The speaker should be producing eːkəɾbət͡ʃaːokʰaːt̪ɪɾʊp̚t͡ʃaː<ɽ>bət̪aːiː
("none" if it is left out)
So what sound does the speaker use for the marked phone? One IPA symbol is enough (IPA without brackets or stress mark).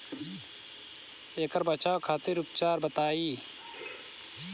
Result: ɾ